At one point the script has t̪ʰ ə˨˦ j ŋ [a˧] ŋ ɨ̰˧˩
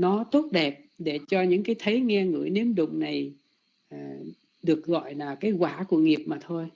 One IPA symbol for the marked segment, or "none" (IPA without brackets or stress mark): ɛ˧